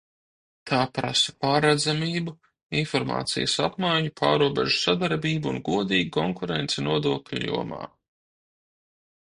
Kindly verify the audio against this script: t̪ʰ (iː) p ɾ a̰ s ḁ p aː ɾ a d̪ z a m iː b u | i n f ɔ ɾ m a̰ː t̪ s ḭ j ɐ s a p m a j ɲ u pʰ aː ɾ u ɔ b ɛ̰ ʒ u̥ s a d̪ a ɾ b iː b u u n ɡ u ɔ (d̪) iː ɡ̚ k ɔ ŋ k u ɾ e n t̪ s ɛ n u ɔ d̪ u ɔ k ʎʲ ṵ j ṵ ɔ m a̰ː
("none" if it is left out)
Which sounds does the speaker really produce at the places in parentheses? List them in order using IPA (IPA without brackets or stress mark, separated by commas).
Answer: aː, d̪